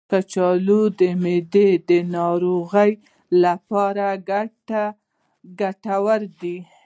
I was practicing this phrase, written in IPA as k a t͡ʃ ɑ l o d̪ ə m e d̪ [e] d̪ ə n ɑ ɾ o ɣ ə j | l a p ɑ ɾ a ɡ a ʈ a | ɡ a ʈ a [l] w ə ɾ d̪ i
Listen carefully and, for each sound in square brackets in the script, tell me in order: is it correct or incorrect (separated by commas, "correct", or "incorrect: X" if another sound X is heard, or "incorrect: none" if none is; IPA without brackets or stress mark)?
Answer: correct, incorrect: none